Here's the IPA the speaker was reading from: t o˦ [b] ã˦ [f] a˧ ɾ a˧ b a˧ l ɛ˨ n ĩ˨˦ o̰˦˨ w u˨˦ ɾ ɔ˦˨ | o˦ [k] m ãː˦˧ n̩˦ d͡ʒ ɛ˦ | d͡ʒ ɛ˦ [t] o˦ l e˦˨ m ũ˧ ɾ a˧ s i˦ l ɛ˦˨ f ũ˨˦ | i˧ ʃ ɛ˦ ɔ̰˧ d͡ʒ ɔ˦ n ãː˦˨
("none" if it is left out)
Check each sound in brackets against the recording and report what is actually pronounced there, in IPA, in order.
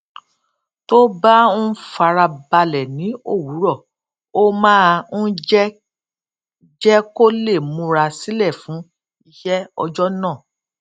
b, f, none, k

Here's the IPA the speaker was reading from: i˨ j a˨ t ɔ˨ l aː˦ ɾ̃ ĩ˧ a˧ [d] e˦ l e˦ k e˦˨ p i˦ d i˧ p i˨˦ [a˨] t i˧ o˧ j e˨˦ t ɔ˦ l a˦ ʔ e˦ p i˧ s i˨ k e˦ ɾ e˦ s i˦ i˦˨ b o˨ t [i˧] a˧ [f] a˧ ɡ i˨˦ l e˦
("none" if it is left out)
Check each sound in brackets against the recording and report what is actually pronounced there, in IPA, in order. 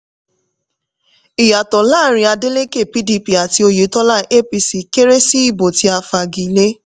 d, a˨, i˧, f

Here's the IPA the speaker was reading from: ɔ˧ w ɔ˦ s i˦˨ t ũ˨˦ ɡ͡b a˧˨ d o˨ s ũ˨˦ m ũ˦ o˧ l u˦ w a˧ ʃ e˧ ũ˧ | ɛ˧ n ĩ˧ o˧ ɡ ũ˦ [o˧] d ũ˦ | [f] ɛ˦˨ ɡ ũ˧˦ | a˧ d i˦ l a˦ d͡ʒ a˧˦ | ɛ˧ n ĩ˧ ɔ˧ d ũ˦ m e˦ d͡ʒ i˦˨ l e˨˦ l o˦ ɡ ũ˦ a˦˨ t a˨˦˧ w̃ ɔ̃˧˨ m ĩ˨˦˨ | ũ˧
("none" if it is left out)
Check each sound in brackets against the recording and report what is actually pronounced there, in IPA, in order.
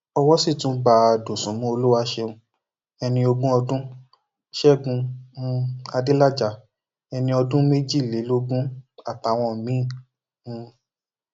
ɔ˧, ʃ

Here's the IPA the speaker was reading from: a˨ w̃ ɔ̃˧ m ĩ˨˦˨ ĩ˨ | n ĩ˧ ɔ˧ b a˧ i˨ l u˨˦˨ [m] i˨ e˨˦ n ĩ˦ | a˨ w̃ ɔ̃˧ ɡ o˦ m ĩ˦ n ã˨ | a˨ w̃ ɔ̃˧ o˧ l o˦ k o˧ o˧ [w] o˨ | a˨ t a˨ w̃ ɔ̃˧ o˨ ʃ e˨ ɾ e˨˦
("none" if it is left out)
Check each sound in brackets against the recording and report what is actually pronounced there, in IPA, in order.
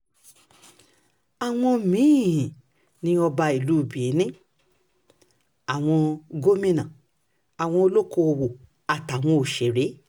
b, w

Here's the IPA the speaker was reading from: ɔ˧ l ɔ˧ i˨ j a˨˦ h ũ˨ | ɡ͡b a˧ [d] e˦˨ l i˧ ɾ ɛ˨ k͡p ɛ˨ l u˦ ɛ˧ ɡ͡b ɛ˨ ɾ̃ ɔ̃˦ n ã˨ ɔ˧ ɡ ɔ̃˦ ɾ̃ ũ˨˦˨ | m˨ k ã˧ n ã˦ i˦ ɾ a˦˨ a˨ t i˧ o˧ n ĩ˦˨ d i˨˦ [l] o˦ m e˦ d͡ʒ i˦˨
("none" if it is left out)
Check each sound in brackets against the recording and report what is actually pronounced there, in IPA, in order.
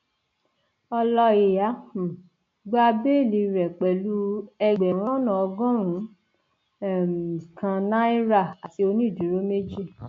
b, ɾ

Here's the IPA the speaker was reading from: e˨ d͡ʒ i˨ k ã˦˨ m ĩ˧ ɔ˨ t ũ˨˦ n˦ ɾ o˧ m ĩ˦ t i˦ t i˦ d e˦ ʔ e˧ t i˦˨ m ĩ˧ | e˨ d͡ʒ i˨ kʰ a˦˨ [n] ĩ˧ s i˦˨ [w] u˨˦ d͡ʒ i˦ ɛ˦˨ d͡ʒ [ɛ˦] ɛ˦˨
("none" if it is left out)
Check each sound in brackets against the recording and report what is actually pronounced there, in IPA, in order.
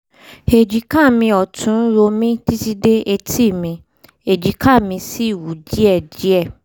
m, w, i˦

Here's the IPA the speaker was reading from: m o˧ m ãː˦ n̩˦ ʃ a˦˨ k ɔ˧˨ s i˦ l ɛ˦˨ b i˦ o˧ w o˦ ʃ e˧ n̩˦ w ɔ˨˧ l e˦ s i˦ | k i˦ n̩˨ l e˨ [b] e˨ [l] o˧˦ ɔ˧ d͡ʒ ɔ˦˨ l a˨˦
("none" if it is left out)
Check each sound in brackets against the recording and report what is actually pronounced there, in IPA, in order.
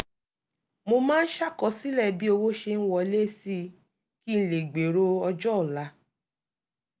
ɡ͡b, ɾ

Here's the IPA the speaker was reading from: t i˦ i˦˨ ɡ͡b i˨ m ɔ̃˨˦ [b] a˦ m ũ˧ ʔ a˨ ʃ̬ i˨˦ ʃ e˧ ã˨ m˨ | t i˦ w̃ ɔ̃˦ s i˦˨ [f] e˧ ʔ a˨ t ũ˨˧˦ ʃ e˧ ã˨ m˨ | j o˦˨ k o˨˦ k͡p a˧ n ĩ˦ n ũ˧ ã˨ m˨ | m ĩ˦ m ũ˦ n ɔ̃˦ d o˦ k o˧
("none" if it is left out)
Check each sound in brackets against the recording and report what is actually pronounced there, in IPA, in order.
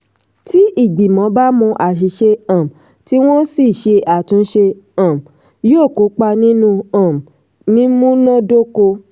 b, ʃ

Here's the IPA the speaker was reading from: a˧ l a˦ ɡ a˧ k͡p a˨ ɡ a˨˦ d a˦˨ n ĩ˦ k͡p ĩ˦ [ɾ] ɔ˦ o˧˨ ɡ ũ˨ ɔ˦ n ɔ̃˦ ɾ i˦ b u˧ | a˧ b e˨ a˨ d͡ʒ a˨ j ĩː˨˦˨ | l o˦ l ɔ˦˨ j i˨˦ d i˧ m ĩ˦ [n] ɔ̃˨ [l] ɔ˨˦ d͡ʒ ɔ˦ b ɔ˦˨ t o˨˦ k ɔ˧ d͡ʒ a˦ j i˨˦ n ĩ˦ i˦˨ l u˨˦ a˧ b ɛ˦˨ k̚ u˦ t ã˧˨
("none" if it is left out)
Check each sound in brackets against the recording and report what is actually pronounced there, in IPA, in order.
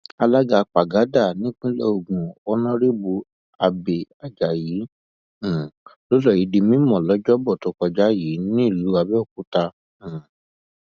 l, m, l

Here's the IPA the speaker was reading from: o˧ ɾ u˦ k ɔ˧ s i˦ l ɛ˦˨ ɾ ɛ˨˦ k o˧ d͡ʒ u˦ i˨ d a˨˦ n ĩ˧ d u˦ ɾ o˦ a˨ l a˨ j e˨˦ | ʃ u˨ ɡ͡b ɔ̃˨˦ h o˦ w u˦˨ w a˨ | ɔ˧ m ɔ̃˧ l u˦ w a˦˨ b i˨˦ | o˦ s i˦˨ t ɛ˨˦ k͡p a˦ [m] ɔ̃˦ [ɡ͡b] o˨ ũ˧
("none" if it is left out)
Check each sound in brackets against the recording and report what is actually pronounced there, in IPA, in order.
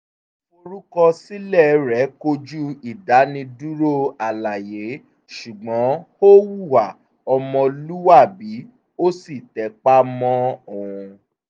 m, none

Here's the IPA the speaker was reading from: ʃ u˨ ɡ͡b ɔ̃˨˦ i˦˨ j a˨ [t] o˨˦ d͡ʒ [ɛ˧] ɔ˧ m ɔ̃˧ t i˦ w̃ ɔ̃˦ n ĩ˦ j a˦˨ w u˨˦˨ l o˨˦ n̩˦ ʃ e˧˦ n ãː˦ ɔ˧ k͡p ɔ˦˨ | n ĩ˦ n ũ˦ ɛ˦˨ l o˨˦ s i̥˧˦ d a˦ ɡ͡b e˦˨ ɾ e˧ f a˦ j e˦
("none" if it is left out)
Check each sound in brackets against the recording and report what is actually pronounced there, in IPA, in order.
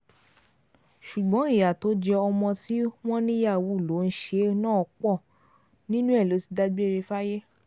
t, ɛ˧

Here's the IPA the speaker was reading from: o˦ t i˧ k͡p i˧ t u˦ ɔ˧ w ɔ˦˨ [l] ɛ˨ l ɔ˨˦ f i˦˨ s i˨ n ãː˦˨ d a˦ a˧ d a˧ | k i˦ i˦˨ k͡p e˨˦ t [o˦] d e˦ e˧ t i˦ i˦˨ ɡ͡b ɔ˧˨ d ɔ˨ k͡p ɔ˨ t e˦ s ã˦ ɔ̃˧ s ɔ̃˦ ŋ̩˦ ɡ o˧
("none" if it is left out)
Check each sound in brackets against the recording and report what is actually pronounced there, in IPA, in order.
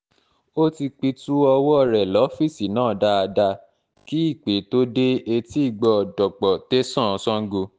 ɾ, o˦

